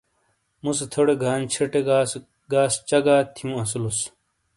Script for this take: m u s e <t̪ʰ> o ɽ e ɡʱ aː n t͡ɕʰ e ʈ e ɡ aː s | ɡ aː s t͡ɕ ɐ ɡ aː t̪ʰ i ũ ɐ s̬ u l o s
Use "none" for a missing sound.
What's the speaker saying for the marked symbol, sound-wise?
t̪ʰ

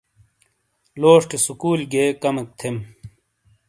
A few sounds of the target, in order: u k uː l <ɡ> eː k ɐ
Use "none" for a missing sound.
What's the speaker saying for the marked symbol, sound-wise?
ɡ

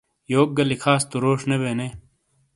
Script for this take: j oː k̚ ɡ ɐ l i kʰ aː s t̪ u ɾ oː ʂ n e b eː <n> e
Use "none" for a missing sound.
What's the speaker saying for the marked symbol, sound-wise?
n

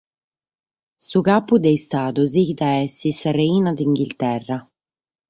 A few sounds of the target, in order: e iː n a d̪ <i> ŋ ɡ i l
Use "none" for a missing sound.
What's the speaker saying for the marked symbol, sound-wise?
i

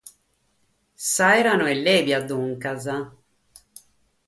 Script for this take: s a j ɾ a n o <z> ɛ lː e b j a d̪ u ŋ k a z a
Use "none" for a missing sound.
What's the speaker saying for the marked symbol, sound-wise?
none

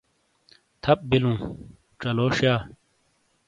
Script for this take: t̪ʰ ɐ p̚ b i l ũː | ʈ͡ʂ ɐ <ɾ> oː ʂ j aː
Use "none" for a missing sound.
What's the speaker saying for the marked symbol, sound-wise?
l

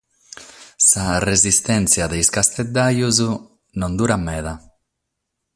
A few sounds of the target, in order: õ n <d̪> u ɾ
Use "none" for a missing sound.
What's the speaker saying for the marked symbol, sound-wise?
d̪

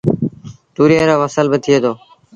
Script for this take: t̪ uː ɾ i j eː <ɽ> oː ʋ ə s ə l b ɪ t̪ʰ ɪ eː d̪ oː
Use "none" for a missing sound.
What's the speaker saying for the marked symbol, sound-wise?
ɾ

